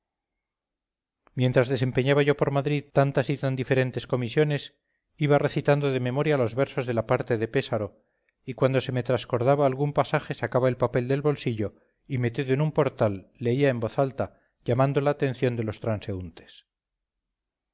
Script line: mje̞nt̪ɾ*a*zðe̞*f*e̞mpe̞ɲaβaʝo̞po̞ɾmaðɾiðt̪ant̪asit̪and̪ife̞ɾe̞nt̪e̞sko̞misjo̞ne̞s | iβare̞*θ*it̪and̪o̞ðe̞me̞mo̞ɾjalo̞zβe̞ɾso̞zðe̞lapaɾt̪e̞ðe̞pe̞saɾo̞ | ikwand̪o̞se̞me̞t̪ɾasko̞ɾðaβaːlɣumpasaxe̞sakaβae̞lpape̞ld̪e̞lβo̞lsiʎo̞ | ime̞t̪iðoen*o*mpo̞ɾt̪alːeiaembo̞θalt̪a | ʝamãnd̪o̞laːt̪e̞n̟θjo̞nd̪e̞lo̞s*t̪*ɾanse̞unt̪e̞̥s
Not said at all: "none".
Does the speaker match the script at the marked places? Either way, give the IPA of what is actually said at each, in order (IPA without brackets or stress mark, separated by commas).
a, s, θ, u, t̪